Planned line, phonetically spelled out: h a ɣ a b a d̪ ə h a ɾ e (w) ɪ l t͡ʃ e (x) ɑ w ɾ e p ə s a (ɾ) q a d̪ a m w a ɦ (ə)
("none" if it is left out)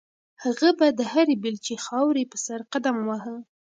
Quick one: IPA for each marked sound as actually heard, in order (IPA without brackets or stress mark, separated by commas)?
b, x, ɾ, ə